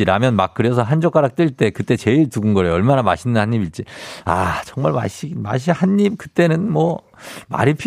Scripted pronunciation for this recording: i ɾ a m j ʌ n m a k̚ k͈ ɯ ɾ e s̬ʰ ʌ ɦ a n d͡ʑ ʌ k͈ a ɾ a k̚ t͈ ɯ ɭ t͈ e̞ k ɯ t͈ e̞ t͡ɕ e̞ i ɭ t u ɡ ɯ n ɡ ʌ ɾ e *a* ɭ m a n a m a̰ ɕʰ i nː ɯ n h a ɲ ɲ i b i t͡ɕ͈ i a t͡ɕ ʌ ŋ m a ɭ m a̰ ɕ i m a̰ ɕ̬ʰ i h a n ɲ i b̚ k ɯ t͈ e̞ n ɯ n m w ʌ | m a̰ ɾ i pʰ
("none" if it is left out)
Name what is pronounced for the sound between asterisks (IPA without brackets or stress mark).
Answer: ʌ